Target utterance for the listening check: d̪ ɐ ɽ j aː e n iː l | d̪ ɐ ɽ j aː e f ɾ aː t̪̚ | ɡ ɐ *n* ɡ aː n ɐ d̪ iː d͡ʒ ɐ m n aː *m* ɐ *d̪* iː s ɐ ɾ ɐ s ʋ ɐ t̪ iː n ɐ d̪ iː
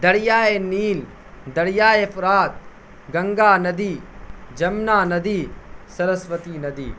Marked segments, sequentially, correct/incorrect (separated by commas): incorrect, incorrect, correct